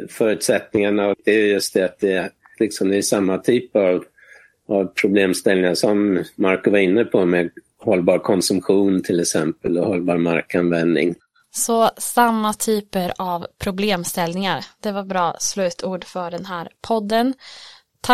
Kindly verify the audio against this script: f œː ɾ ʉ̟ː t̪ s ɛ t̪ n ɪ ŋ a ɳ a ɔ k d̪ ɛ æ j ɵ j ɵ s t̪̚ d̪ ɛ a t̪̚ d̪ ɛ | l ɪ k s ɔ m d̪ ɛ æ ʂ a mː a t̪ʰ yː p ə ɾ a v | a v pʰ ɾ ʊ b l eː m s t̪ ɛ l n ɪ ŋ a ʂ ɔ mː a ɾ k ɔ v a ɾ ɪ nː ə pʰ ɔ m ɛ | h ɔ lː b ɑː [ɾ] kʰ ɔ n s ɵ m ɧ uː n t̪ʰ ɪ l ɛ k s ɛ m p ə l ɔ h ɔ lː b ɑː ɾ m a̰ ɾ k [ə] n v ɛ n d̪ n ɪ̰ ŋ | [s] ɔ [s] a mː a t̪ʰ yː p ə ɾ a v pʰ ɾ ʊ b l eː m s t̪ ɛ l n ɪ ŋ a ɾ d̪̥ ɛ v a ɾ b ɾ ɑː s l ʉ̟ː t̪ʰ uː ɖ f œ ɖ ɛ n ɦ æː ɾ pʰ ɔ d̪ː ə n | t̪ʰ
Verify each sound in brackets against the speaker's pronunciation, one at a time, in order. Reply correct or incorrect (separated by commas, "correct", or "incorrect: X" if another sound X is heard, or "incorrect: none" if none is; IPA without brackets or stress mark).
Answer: correct, incorrect: a, correct, correct